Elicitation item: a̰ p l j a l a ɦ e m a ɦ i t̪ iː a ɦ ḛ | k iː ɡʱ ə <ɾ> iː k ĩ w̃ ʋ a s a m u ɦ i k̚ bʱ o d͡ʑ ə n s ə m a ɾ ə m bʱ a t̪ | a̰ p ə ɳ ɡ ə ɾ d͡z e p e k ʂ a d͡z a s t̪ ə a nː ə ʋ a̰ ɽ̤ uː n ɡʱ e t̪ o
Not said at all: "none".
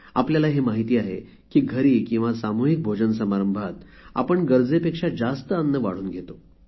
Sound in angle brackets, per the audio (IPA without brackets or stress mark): ɾ